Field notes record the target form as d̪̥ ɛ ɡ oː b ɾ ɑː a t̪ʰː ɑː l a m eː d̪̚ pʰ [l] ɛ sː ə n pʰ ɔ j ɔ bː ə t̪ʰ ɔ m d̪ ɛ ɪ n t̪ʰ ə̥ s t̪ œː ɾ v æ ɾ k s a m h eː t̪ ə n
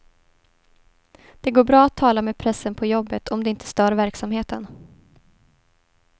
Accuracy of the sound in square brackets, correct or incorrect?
incorrect